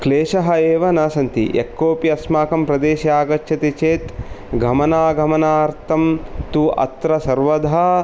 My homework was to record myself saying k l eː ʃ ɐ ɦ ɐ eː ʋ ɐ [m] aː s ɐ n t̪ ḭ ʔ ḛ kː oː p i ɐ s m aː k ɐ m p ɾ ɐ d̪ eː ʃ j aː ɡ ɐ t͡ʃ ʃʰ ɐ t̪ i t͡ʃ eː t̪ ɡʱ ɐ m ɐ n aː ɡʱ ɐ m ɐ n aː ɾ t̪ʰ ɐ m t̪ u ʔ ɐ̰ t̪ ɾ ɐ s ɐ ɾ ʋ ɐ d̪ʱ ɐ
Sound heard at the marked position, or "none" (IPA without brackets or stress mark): n